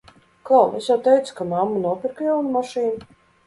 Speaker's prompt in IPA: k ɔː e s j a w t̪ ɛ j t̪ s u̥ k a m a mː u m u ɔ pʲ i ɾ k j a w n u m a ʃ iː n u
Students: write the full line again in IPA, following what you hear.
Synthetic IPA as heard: k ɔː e s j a w t̪ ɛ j t̪ s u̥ k a m a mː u n u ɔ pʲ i ɾ k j a w n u m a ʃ iː n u